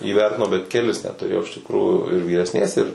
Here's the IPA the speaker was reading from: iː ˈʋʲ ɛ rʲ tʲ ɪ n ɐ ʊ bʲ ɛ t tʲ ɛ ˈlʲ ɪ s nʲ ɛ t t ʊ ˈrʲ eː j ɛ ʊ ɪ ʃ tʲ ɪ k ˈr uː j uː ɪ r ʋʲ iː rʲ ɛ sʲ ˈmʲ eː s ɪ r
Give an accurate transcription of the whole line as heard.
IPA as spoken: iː ˈʋʲ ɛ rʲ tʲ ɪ n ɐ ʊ bʲ ɛ t kʲ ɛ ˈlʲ ɪ s nʲ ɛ t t ʊ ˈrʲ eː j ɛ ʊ ɪ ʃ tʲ ɪ k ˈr uː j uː ɪ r ʋʲ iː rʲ ɛ sʲ ˈnʲ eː s ɪ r